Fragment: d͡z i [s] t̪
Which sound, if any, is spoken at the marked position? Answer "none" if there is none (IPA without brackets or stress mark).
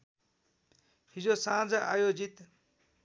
none